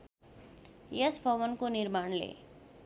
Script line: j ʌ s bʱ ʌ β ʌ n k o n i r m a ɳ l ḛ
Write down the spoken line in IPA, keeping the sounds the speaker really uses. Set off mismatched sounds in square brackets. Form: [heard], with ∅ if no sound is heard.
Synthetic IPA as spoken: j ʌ s bʱ ʌ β ʌ n k o n i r m a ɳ l ḛ